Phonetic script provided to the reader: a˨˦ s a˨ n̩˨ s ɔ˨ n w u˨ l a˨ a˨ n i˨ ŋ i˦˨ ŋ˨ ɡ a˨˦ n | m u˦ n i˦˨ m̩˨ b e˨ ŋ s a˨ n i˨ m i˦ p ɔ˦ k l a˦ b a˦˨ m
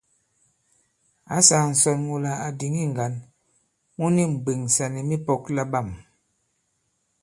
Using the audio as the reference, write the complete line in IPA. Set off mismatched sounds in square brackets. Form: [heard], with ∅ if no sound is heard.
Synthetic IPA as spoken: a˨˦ s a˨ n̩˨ s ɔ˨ n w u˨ l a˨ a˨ [d] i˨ ŋ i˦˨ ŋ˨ ɡ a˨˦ n | m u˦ n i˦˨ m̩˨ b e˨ ŋ s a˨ n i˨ m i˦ p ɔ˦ k l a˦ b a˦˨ m